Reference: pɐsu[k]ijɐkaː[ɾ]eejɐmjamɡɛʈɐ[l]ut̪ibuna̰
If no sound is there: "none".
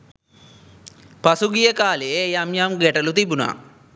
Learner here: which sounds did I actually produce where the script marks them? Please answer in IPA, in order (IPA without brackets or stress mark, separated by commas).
ɡ, l, l